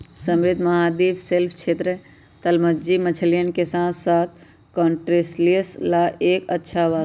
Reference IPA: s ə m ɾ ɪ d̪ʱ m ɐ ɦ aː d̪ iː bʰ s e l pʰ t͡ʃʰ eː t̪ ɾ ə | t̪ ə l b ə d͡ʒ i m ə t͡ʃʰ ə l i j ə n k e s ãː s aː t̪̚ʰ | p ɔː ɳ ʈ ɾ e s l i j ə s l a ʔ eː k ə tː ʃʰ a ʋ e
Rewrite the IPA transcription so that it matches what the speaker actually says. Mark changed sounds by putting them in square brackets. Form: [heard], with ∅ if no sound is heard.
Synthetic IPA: s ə m ɾ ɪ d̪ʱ m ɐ ɦ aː d̪ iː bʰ s e l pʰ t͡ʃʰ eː t̪ ɾ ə | t̪ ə l [m] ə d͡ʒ i m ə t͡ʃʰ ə l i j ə n k e s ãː s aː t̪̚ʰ | [k] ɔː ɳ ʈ ɾ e s l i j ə s l a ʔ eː k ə tː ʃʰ a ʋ [a]